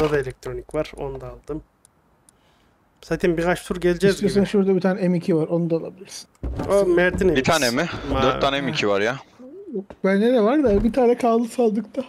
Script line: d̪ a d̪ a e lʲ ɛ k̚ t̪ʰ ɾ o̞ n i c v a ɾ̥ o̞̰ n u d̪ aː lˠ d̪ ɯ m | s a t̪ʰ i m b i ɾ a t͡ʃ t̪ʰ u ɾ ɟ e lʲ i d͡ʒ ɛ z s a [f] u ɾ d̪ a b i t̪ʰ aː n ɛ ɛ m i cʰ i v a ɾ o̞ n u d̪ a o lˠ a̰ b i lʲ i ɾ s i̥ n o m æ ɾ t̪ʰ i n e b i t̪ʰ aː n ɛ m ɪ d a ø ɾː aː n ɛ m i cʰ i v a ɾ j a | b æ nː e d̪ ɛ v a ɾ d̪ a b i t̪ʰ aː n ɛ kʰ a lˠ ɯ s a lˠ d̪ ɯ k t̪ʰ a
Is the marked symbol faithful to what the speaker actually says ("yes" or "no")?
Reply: no